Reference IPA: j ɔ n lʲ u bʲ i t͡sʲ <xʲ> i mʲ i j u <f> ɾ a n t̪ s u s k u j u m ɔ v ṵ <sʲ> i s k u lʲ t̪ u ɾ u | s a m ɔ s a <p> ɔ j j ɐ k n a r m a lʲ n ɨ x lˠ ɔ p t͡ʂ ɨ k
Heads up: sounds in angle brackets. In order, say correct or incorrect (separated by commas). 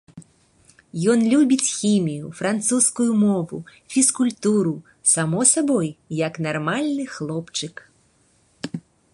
correct, correct, incorrect, incorrect